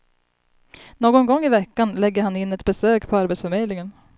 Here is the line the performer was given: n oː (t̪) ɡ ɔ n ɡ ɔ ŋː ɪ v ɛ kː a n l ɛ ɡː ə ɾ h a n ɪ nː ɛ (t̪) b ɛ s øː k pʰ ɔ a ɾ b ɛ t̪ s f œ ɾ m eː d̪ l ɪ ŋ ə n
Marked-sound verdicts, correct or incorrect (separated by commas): incorrect, correct